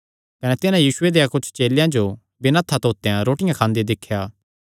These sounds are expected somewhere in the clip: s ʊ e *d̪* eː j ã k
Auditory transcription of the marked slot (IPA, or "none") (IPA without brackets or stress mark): d̪